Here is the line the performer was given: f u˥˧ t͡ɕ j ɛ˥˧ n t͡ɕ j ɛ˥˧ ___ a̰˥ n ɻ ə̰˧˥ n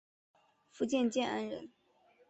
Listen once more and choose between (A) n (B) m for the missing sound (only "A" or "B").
A